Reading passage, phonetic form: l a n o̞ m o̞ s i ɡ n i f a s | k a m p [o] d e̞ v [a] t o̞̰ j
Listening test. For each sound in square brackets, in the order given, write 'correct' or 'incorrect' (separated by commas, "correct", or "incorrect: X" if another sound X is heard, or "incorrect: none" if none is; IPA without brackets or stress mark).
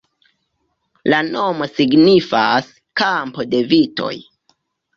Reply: correct, incorrect: i